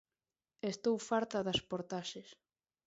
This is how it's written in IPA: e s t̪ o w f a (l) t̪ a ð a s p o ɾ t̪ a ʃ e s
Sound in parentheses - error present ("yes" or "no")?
yes